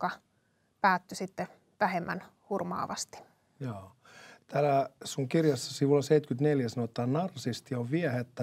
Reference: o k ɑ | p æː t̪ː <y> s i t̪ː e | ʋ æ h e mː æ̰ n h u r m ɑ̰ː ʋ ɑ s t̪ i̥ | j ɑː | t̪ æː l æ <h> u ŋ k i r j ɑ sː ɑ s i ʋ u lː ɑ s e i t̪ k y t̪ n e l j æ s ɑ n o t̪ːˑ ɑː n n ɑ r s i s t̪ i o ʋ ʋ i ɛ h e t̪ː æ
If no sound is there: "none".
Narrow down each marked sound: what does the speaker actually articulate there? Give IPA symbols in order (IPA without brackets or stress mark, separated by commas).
y, s